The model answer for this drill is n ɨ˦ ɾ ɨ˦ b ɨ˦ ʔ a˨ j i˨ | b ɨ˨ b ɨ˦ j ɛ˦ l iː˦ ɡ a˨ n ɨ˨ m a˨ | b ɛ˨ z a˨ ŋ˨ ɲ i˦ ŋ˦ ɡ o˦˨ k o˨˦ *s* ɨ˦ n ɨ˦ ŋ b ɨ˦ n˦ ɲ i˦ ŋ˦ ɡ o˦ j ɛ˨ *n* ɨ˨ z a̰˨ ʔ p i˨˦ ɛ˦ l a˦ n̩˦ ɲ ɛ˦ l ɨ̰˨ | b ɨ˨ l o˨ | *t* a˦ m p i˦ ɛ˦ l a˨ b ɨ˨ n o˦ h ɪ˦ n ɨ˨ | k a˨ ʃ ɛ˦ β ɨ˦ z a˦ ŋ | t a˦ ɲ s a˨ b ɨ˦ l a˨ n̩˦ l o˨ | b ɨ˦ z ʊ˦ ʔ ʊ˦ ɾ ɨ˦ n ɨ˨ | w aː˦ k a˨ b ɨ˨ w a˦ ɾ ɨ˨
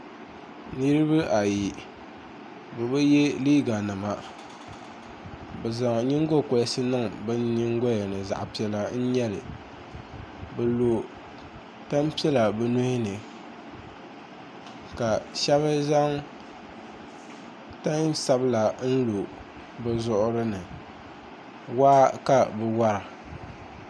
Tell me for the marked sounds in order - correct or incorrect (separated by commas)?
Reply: correct, correct, correct